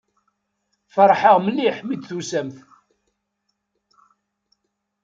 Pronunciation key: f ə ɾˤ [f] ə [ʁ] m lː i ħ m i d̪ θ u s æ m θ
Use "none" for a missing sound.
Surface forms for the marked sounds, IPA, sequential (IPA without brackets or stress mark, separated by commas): ħ, ʁ